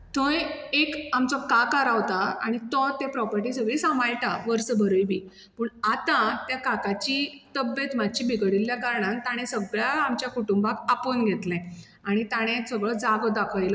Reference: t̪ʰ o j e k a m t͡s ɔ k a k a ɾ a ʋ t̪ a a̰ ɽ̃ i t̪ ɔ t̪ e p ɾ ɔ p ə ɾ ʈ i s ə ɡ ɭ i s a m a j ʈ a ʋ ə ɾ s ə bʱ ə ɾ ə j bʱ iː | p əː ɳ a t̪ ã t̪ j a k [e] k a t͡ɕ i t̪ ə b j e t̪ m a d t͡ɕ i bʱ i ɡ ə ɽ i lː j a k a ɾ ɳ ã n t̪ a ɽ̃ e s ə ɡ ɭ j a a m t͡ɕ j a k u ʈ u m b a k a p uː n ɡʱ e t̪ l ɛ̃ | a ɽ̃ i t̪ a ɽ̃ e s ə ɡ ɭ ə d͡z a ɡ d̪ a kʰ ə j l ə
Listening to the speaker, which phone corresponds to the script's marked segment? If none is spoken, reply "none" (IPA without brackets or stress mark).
a